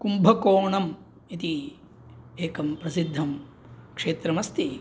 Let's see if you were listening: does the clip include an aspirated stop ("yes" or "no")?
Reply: no